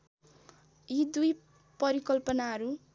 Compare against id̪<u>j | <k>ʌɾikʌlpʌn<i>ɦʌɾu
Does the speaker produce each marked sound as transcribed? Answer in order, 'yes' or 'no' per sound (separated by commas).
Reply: yes, no, no